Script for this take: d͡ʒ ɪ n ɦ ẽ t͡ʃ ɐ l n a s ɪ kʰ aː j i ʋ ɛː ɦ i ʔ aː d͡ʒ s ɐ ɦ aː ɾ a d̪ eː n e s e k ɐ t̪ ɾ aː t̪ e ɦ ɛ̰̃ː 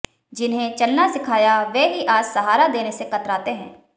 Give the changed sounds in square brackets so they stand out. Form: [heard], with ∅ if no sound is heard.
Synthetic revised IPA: d͡ʒ ɪ n ɦ ẽ t͡ʃ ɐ l n a s ɪ kʰ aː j [a] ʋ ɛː ɦ i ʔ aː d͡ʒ s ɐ ɦ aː ɾ a d̪ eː n e s e k ɐ t̪ ɾ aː t̪ e ɦ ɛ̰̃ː